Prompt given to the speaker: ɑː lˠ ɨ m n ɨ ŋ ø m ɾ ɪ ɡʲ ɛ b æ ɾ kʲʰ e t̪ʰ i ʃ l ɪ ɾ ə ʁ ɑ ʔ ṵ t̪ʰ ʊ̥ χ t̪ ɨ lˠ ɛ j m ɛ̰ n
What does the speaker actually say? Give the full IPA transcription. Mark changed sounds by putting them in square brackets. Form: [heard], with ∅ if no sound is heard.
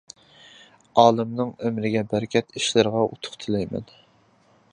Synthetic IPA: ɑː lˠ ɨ m n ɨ ŋ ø m ɾ ɪ ɡʲ ɛ b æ ɾ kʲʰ [ɛ] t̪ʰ i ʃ l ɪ ɾ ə ʁ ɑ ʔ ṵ t̪ʰ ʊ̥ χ [t̪ʰ] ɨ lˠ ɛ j m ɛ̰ n